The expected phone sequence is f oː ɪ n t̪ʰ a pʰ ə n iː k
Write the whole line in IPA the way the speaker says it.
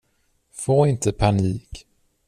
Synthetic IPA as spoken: f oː ɪ n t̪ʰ ə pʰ a n iː k